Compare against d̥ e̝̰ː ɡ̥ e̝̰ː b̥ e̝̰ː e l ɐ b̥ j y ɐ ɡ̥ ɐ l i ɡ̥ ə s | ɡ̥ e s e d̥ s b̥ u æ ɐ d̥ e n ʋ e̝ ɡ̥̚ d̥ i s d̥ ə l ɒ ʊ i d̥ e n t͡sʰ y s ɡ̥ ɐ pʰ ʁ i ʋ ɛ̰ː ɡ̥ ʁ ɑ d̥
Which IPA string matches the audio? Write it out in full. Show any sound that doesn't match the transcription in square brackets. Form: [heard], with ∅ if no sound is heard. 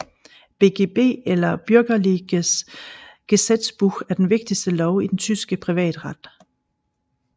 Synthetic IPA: [b̥] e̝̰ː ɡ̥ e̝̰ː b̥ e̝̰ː e l ɐ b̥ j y ɐ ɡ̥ ɐ l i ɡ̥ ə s | ɡ̥ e s e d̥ s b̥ u æ ɐ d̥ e n ʋ e̝ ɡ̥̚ d̥ i s d̥ ə l ɒ ʊ i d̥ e n t͡sʰ y s ɡ̥ [ə] pʰ ʁ i ʋ ɛ̰ː [d̥] ʁ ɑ d̥